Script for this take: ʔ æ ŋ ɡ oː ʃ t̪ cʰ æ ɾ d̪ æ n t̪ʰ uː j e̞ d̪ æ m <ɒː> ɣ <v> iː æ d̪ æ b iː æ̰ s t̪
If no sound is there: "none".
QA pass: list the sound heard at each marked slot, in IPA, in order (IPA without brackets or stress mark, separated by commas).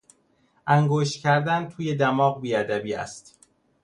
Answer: ɒː, b